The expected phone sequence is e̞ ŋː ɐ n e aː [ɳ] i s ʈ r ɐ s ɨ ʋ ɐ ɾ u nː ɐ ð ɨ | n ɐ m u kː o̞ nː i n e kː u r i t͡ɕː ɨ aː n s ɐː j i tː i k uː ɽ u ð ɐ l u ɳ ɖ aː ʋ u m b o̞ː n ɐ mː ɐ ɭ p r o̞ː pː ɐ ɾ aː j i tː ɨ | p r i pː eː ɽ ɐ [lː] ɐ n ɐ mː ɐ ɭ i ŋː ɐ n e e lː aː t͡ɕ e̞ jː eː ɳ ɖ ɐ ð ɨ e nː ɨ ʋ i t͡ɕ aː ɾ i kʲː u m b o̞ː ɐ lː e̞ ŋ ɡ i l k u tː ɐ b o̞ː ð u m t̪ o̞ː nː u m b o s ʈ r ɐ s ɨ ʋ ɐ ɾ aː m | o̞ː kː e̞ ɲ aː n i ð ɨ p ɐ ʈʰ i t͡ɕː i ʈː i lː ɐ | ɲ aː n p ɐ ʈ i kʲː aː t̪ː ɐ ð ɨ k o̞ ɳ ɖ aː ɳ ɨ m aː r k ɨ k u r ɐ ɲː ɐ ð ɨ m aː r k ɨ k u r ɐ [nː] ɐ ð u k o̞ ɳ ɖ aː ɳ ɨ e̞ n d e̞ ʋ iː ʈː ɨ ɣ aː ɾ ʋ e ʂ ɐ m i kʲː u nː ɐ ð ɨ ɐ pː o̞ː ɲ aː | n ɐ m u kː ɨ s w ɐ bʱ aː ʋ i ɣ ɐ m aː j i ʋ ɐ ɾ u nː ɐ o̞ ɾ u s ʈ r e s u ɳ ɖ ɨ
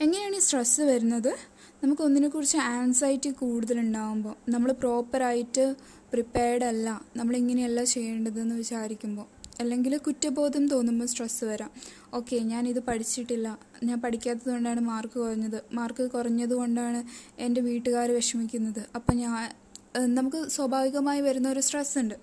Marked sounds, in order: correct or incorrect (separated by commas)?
correct, correct, incorrect